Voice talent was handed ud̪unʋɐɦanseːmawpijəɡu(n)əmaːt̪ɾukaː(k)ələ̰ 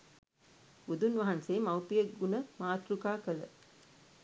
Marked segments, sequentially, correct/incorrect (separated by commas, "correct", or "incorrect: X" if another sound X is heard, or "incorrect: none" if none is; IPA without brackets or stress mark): correct, correct